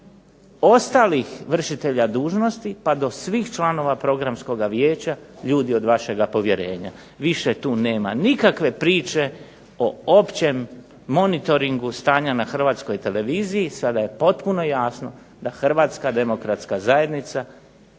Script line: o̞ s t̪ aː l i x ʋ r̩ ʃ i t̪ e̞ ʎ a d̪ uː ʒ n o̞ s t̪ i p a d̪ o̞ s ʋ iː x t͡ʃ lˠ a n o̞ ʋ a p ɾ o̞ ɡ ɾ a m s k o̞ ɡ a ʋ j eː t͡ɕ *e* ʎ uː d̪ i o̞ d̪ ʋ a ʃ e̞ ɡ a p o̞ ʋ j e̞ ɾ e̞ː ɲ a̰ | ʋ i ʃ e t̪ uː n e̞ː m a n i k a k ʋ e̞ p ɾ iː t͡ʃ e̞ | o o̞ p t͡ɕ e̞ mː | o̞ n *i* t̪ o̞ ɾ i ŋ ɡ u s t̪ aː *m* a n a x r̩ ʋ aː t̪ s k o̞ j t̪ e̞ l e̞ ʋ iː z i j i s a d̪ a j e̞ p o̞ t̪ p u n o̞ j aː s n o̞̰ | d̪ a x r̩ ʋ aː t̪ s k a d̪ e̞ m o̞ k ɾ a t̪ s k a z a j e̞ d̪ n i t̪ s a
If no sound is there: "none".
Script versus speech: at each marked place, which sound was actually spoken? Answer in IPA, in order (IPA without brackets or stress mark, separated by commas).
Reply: a, i, ɲ